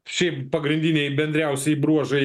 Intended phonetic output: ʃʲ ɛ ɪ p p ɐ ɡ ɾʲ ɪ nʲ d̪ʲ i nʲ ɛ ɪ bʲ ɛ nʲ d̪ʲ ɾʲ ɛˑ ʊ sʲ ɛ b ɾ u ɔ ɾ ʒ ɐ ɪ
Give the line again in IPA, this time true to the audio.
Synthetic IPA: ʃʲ ɛ ɪ p p ɐ ɡ ɾʲ ɪ nʲ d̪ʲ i nʲ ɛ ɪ bʲ ɛ nʲ d̪ʲ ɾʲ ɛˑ ʊ sʲ ɛ b ɾ u ɔ ʒ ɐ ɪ